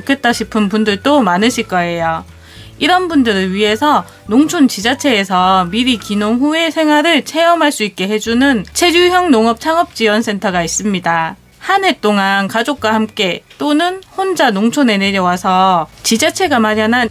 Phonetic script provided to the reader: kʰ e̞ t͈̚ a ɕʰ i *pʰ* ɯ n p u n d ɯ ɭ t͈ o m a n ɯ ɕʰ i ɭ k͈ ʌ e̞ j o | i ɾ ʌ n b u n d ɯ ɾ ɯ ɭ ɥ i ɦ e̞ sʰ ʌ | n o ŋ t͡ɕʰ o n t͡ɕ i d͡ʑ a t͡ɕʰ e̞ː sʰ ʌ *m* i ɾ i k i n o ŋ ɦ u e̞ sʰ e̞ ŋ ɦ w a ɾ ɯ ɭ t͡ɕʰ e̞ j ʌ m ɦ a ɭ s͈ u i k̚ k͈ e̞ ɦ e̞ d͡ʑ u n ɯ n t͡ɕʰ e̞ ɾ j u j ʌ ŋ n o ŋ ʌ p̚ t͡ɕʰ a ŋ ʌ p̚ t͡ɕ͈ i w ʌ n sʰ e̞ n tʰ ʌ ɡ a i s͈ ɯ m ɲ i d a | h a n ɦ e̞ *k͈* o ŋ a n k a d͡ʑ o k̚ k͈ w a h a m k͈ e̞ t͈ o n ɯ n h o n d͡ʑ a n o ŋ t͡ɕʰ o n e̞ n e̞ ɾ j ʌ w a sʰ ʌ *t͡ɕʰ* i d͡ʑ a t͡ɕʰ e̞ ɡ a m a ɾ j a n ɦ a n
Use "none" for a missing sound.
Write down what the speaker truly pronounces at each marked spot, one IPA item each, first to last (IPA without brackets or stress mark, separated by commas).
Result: pʰ, m, t͈, t͡ɕ